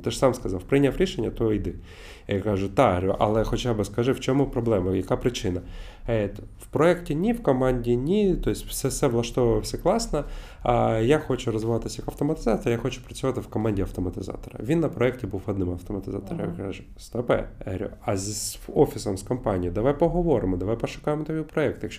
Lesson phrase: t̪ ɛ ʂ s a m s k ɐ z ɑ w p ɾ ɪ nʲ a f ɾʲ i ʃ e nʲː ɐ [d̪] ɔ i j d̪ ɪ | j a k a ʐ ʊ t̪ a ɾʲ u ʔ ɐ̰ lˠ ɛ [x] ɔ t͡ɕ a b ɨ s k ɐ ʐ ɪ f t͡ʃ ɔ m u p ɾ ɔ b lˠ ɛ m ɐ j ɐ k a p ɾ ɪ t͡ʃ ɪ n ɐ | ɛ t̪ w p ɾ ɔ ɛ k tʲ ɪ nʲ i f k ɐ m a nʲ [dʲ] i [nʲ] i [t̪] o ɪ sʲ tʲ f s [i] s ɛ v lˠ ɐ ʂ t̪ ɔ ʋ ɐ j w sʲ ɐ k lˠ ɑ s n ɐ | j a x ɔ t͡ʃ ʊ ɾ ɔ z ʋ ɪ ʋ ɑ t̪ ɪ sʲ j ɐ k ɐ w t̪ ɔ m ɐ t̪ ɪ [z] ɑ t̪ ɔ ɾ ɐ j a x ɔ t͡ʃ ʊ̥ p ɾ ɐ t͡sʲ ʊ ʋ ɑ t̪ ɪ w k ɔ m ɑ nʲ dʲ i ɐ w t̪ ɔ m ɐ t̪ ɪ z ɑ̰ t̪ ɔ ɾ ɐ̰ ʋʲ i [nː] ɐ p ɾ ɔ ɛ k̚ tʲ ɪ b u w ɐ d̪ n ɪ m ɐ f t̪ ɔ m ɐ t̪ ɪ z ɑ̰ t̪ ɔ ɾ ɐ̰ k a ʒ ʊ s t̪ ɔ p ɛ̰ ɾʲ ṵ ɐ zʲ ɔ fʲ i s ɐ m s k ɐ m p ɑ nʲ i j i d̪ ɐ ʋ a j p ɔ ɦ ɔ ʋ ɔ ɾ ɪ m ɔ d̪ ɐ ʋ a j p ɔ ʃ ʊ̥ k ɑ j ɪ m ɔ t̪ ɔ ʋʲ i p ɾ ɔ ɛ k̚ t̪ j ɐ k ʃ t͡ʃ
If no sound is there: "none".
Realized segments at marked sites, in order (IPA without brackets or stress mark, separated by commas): t̪, x, dʲ, nʲ, t̪, ɛ, z, nː